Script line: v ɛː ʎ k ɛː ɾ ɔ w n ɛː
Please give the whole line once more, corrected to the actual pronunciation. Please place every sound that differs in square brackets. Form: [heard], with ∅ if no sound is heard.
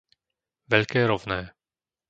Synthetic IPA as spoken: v [ɛ] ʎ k ɛː ɾ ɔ [v] n ɛː